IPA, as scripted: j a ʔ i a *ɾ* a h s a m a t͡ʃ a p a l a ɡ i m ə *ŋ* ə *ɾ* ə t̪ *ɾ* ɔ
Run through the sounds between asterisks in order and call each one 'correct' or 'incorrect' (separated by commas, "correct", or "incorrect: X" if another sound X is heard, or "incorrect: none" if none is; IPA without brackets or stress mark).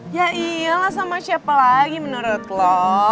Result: incorrect: l, incorrect: n, correct, incorrect: l